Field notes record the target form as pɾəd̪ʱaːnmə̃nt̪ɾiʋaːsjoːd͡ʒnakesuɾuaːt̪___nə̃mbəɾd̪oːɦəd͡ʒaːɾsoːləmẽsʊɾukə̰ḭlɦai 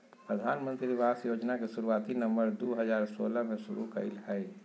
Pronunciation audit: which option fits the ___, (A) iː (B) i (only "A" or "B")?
B